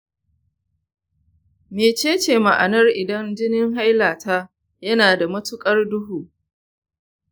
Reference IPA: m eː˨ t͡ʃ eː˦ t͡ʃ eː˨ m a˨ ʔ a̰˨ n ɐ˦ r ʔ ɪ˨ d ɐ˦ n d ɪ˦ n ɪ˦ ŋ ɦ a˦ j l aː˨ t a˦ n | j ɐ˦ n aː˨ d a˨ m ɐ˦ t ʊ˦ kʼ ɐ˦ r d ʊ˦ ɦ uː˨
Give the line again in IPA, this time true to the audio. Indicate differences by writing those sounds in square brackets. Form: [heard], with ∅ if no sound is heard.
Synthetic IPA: m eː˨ t͡ʃ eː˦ t͡ʃ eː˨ m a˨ ʔ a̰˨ n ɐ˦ r ʔ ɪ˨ d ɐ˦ n [d͡ʒ] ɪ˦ n ɪ˦ ŋ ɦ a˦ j l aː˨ t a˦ [∅] | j ɐ˦ n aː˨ d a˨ m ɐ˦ t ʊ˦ kʼ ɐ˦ r d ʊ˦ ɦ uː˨